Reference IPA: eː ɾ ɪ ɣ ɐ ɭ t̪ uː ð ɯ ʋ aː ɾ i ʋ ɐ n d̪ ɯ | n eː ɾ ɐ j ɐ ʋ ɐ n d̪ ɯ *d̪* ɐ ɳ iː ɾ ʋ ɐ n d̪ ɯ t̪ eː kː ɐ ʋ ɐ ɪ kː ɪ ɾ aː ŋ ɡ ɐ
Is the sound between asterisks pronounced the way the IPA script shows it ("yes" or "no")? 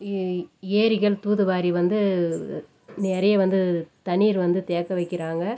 no